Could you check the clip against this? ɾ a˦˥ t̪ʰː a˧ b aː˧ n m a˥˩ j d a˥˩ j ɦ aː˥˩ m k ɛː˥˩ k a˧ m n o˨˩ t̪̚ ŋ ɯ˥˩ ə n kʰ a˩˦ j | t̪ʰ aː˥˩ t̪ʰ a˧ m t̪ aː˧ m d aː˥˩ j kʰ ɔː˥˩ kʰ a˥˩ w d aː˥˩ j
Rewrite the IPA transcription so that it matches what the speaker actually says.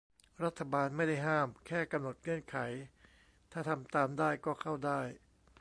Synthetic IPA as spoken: ɾ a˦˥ t̪ʰː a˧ b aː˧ n m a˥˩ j d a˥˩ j ɦ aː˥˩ m kʰ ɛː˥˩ k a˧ m n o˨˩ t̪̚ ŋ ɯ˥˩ ə n kʰ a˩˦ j | t̪ʰ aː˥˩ t̪ʰ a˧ m t̪ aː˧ m d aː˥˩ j k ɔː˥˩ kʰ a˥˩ w d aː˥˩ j